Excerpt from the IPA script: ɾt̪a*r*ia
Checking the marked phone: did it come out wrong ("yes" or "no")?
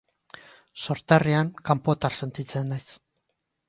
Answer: no